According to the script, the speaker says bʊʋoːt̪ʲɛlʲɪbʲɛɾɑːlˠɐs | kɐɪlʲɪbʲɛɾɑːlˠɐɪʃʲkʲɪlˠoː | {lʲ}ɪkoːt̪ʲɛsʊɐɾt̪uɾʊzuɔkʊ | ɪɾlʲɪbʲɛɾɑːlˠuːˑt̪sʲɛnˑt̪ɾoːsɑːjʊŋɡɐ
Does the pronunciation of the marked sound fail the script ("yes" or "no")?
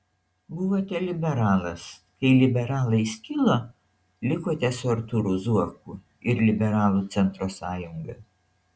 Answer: no